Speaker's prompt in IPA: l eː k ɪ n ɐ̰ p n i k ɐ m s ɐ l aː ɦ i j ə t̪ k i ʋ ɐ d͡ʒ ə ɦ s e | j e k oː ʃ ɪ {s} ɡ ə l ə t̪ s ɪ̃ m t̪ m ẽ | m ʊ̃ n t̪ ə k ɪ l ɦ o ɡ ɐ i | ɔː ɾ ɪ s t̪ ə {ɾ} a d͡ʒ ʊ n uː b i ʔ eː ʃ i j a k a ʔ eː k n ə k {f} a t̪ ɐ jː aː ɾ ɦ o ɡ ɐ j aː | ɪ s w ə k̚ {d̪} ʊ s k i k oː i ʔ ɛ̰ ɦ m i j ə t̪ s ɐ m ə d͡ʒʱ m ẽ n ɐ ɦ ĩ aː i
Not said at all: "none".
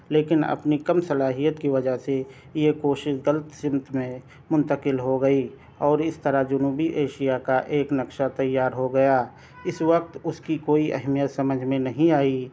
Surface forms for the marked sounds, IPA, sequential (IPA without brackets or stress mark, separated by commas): ʃ, ɾ, ʃ, t̪